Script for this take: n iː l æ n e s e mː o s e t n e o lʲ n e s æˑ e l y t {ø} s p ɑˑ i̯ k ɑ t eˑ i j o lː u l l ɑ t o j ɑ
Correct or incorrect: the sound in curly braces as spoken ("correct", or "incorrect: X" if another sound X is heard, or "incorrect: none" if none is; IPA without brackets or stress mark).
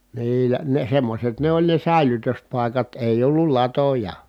correct